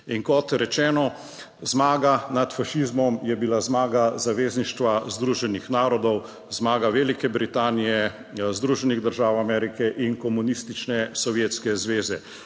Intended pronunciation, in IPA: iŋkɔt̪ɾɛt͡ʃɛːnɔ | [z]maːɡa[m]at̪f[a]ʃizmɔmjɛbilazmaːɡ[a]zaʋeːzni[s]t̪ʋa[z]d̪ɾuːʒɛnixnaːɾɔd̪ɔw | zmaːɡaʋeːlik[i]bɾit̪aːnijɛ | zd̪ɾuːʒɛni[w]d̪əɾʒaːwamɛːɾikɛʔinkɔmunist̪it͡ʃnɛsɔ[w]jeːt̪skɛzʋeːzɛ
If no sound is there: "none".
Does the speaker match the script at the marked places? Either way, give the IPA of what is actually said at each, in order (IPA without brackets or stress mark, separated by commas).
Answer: z, n, a, a, ʃ, z, ɛ, ɣ, ʋ